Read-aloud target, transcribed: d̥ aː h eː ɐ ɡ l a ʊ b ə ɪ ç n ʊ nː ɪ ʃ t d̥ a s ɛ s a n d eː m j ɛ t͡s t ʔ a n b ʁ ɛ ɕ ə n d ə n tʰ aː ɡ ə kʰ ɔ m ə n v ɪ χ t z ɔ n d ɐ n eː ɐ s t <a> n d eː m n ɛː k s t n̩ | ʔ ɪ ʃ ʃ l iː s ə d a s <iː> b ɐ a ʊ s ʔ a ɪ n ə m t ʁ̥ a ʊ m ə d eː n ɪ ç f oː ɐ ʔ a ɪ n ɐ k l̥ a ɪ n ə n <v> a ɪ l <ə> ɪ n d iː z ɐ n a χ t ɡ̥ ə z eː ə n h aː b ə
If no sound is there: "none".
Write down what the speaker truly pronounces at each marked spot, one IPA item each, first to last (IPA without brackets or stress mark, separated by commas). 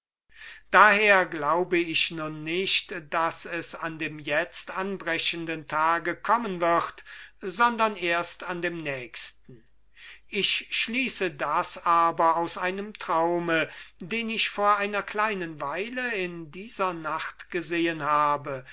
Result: a, aː, v, ə